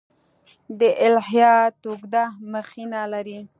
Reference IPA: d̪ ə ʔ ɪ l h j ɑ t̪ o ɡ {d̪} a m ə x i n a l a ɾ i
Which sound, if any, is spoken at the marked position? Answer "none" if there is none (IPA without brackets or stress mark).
d̪